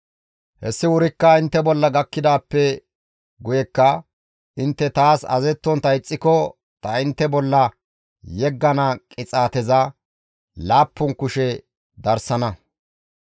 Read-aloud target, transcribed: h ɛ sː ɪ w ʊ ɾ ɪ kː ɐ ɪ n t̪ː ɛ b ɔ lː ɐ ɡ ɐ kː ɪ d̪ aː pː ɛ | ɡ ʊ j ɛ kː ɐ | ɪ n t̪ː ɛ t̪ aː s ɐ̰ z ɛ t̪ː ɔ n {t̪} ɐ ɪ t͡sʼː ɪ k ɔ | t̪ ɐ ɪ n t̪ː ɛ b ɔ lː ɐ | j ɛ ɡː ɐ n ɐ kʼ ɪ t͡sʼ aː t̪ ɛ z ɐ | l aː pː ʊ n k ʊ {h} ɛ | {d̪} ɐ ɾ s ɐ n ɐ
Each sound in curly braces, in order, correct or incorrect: correct, incorrect: ʃ, correct

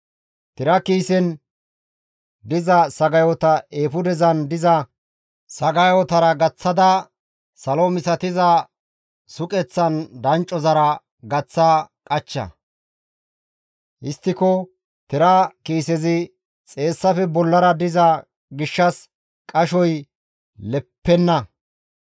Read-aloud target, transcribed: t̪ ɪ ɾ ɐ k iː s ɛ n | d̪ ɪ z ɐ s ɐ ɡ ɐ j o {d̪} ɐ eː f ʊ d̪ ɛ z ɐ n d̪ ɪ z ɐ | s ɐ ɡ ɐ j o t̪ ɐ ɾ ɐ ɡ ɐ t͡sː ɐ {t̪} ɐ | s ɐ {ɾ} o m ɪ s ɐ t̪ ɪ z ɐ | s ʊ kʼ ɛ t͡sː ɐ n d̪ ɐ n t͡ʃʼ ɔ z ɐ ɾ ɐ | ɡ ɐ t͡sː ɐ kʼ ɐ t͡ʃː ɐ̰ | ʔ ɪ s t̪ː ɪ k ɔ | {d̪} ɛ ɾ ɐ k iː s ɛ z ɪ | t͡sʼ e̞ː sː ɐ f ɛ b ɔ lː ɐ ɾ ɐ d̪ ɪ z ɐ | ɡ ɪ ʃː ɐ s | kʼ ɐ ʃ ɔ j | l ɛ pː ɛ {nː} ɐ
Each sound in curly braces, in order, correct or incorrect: incorrect: t̪, incorrect: d̪, incorrect: l, incorrect: t̪, correct

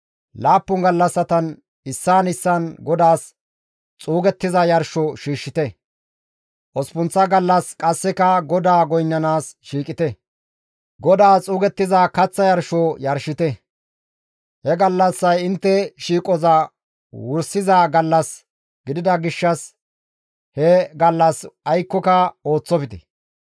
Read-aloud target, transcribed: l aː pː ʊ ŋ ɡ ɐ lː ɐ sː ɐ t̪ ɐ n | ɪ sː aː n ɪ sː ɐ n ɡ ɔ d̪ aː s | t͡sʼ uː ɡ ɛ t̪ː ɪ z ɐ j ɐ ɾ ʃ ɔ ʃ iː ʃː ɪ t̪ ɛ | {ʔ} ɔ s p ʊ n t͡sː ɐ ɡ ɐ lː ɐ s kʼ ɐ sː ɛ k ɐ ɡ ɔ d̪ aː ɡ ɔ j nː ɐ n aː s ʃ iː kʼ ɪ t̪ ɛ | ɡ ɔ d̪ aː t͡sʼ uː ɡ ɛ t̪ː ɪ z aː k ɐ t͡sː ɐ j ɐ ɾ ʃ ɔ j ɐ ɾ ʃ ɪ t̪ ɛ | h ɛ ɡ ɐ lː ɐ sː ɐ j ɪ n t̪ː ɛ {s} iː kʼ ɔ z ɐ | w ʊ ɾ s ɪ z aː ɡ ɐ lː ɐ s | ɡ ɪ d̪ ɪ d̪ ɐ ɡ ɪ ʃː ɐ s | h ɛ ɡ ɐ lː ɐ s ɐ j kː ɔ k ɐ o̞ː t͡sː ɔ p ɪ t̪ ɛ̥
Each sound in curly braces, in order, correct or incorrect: correct, incorrect: ʃ

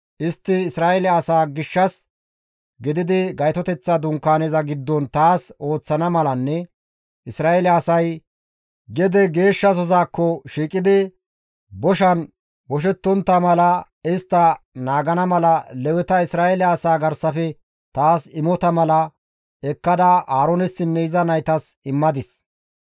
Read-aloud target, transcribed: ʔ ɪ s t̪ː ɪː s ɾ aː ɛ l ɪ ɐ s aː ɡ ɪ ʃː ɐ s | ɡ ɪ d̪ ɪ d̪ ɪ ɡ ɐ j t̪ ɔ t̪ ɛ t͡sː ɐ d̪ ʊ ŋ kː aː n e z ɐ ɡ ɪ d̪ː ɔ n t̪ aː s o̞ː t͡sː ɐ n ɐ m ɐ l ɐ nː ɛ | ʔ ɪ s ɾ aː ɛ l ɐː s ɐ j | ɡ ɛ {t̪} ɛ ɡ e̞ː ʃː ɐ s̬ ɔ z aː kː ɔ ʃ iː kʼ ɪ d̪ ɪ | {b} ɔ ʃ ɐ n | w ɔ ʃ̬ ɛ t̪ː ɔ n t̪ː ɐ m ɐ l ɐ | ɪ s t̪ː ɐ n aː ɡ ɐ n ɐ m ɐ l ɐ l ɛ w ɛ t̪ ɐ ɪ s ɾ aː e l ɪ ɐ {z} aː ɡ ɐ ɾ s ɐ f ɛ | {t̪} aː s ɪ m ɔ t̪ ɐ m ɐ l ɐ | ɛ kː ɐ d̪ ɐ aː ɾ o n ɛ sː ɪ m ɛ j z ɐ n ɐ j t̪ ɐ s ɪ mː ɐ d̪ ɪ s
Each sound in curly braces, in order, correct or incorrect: incorrect: d̪, correct, incorrect: s, correct

